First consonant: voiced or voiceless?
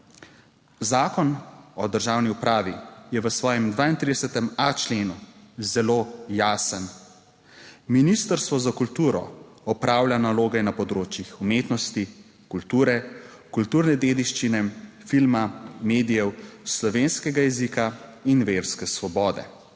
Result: voiced